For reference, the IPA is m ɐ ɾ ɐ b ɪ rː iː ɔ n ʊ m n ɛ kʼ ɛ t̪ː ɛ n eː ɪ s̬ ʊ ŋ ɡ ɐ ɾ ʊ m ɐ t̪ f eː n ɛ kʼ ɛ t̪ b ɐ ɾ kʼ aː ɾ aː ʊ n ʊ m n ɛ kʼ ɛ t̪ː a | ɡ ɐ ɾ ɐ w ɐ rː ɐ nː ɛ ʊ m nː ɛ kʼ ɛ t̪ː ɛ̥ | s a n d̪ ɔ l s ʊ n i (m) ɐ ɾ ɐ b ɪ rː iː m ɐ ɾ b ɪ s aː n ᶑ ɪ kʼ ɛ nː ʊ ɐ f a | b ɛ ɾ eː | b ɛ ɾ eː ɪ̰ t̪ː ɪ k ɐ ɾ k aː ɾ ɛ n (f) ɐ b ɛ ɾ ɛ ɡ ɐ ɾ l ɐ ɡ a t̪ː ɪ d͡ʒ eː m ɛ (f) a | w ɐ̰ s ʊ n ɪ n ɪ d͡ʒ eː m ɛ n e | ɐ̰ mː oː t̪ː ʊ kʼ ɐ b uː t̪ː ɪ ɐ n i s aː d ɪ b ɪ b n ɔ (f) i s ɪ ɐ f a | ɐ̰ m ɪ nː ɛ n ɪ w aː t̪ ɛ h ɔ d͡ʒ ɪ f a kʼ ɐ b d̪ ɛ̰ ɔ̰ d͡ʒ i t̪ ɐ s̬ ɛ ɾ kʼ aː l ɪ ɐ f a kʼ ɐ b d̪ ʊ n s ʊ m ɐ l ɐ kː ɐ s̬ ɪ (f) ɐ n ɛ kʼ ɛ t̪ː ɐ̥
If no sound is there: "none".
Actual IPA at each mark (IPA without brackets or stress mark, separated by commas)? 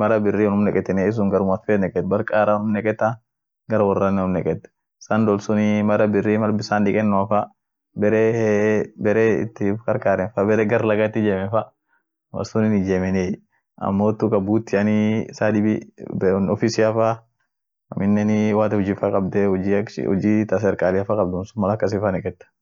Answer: m, f, f, f, f